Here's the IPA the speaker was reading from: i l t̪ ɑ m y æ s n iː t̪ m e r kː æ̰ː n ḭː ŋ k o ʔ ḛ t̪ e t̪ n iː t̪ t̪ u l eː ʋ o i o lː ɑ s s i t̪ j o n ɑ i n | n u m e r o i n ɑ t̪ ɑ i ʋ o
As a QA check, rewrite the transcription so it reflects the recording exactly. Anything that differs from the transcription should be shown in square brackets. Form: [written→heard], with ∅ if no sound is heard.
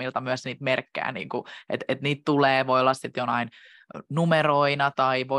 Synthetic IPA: i l t̪ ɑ m y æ s n iː t̪ m e r kː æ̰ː n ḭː ŋ k [o→u] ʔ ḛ t̪ e t̪ n iː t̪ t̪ u l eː ʋ o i o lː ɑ s s i t̪ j o n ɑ i n | n u m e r o i n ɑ t̪ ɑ i ʋ o